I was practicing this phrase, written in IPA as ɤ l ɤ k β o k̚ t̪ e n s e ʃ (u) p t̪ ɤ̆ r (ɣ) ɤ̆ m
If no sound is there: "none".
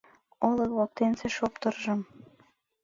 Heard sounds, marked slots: o, ʒ

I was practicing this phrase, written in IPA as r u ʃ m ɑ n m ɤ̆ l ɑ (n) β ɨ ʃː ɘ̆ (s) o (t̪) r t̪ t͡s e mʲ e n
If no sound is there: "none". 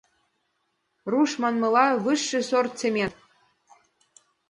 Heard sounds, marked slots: none, s, none

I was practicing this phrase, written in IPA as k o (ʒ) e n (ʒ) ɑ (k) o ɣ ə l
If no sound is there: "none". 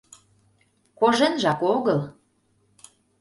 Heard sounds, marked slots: ʒ, ʒ, k

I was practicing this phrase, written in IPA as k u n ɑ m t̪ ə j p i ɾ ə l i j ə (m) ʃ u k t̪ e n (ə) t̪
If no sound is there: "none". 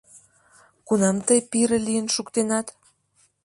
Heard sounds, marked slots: n, ɑ

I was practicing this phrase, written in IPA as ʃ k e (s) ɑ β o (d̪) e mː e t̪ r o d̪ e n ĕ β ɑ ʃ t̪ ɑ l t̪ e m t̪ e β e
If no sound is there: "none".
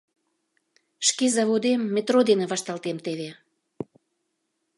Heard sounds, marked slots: z, d̪

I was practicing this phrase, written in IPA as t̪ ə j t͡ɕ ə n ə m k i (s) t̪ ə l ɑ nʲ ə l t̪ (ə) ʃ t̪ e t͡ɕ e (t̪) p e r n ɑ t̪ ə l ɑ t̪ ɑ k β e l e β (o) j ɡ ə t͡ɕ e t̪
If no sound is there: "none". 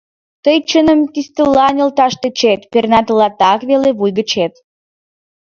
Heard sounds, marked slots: s, ɑ, t̪, u

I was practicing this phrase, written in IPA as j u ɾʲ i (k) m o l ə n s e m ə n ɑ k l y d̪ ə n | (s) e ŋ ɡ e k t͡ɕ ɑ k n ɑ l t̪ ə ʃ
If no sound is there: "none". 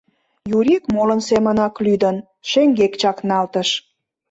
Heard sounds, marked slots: k, ʃ

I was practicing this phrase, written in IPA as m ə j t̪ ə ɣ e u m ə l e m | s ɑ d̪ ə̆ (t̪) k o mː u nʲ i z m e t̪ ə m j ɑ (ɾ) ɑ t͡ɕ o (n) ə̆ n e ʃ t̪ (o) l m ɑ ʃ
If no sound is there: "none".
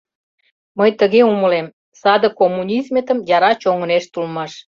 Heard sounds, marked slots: none, ɾ, ŋ, u

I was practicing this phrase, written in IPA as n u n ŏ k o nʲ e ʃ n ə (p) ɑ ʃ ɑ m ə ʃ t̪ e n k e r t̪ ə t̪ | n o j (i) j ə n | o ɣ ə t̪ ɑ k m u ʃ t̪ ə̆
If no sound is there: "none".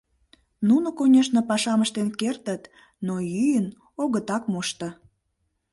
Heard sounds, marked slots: p, y

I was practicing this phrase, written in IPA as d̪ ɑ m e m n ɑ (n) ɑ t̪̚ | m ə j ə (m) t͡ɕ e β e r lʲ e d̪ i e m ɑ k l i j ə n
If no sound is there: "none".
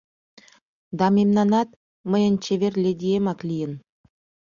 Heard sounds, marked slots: n, n

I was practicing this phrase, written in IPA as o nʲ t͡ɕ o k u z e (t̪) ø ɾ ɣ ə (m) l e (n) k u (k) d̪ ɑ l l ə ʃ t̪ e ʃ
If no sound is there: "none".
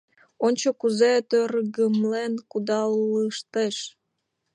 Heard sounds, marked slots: t̪, m, n, none

